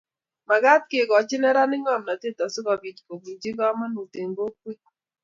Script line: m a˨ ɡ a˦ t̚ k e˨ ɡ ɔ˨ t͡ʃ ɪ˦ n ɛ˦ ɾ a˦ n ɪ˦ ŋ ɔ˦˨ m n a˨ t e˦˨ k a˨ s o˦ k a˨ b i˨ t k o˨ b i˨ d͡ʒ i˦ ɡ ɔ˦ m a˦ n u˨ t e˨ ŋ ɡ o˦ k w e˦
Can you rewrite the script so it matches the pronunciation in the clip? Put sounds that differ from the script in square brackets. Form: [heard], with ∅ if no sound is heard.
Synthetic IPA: m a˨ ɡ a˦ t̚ k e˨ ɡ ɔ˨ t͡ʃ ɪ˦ n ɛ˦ ɾ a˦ n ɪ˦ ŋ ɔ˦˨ m n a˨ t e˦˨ [t] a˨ s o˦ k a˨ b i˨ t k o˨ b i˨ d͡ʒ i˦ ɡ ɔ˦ m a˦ n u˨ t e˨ ŋ ɡ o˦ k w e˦